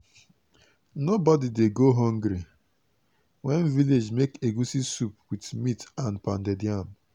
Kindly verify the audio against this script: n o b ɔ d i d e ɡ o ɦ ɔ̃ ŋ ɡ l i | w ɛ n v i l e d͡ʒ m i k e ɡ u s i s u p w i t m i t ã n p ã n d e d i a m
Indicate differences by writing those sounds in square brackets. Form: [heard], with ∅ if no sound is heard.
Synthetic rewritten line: n o b ɔ d i d e ɡ o ɦ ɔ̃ ŋ ɡ [ɾ] i | w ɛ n v i l e d͡ʒ m [e] k e ɡ u s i s u p w i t m i t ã n p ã n d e d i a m